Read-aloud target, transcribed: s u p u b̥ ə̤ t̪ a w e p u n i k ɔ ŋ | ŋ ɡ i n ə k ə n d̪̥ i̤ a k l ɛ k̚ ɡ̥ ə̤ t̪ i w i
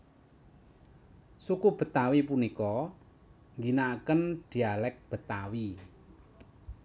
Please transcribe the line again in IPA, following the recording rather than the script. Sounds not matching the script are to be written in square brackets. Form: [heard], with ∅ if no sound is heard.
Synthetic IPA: s u [k] u b̥ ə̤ t̪ a w [i] p u n i k ɔ [∅] | ŋ ɡ i n [a] k ə n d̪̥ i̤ a [∅] l ɛ k̚ [b̥] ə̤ t̪ [a] w i